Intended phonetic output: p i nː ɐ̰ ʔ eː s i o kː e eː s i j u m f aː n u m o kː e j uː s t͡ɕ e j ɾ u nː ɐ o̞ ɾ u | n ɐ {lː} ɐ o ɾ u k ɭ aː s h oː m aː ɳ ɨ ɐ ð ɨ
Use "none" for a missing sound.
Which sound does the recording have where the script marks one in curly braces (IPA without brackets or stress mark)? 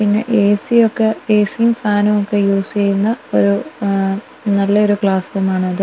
lː